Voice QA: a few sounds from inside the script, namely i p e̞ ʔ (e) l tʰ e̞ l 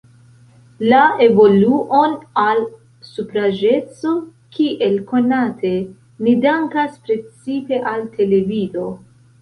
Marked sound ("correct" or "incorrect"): incorrect